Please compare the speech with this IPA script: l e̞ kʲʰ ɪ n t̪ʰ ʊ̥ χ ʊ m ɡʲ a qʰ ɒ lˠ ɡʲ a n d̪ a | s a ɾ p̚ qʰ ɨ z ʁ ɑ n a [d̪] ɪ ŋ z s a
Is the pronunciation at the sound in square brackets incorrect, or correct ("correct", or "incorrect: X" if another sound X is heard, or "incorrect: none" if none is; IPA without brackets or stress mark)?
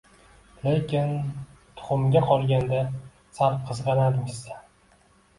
correct